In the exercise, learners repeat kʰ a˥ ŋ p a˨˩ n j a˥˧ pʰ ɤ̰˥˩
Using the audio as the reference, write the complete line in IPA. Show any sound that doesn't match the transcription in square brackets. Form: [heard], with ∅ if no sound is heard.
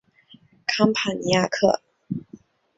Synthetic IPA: kʰ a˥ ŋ [pʰ] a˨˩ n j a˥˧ [kʰ] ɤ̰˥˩